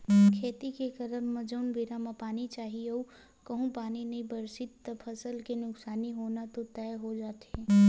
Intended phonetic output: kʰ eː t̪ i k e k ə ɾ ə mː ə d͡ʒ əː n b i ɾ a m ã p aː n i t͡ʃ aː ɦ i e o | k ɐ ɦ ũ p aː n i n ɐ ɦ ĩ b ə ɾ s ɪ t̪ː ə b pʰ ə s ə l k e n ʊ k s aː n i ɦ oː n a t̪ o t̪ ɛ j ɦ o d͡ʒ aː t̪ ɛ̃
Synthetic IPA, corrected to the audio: kʰ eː t̪ i k e k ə ɾ ə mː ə d͡ʒ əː n b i ɾ a m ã p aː n i t͡ʃ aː ɦ i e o | k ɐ ɦ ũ p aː n i n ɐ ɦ ĩ b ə ɾ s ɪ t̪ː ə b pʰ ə s ə l k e n ʊ k s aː n i ɦ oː n a t̪ o t̪ ɛ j ɦ o d͡ʒ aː t̪ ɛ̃